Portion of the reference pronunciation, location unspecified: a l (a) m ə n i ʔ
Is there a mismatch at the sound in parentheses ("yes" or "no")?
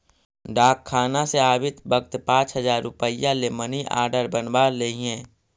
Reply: yes